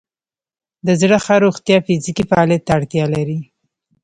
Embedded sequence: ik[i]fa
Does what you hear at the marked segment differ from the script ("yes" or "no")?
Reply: no